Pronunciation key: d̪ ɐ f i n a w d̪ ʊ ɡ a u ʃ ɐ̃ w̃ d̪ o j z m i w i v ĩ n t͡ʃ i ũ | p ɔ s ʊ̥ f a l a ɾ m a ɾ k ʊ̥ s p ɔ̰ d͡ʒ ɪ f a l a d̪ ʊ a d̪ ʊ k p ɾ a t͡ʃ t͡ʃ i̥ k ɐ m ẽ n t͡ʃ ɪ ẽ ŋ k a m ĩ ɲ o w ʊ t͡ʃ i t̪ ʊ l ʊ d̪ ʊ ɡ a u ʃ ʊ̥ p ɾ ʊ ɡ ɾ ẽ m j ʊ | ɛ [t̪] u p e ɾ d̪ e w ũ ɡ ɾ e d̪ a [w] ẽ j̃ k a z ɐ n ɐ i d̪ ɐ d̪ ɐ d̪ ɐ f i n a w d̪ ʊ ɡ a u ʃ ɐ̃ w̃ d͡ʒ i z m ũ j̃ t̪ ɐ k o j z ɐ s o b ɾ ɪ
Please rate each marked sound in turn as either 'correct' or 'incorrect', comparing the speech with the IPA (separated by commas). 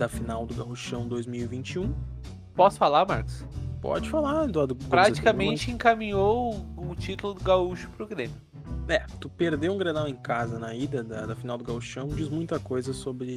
correct, correct